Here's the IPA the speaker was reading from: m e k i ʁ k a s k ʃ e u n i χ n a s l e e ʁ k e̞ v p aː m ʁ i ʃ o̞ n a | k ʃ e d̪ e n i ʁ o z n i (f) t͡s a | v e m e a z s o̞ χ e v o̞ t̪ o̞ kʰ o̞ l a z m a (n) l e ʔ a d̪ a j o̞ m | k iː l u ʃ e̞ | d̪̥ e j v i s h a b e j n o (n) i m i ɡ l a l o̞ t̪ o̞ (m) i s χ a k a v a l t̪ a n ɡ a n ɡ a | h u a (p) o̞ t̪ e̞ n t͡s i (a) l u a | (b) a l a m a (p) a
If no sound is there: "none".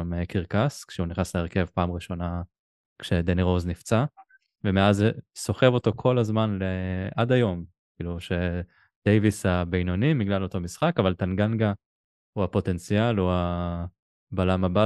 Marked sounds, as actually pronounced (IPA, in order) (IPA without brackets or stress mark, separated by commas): f, n, n, m, p, a, b, b